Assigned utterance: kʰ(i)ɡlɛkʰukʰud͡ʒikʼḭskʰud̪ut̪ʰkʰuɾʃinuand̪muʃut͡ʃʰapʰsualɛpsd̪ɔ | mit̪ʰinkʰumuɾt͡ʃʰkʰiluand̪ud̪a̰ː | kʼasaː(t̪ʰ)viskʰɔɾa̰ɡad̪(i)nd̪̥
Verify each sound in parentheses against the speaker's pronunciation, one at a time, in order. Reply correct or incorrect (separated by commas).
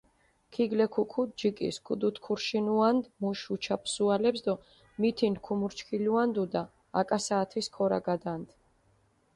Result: correct, correct, incorrect